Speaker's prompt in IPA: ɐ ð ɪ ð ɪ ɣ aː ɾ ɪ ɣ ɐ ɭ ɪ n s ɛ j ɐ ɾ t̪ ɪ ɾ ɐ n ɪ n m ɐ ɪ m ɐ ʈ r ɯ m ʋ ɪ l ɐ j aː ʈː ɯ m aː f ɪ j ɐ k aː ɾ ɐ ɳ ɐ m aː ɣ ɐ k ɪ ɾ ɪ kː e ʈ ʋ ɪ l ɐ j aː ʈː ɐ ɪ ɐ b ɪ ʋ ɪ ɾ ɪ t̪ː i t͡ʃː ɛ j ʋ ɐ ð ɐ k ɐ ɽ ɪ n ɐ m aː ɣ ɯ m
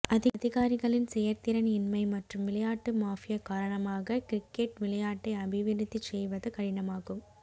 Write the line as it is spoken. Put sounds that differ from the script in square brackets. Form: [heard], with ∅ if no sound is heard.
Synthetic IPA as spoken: ɐ ð ɪ ð ɪ ɣ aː ɾ ɪ ɣ ɐ ɭ ɪ n s ɛ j ɐ ɾ t̪ ɪ ɾ ɐ n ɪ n m ɐ ɪ m ɐ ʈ r ɯ m ʋ ɪ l ɐ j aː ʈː ɯ m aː f ɪ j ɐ k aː ɾ ɐ ɳ ɐ m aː ɣ ɐ k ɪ ɾ ɪ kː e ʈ ʋ ɪ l ɐ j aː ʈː ɐ ɪ ɐ b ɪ ʋ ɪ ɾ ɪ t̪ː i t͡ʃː ɛ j ʋ ɐ ð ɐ k ɐ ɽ ɪ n ɐ m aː ɣ ɯ m